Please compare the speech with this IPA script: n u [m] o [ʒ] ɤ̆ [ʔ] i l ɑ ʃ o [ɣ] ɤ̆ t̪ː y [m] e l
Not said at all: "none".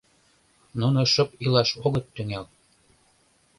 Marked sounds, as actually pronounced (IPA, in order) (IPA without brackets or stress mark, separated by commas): n, ʃ, p, ɣ, ŋ